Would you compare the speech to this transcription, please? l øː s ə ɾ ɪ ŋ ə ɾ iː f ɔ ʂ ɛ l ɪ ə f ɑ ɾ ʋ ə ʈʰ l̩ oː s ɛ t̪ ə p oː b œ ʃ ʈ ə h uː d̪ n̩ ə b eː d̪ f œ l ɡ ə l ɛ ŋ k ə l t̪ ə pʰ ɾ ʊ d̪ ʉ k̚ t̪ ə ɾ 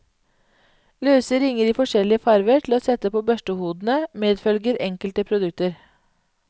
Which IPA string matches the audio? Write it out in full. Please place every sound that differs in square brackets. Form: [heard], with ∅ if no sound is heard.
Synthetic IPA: l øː s ə ɾ ɪ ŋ ə ɾ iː f ɔ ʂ ɛ l ɪ ə f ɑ ɾ ʋ ə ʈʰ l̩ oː s ɛ t̪ ə p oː b œ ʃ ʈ ə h uː d̪ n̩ ə [m] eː d̪ f œ l ɡ ə [ɾ] ɛ ŋ k ə l t̪ ə pʰ ɾ ʊ d̪ ʉ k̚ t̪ ə ɾ